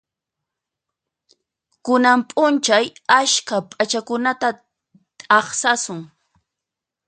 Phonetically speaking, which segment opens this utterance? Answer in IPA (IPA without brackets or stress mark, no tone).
k